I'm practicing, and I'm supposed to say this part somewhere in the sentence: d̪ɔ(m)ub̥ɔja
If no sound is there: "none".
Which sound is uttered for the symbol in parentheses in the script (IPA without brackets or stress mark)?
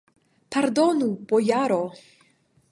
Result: n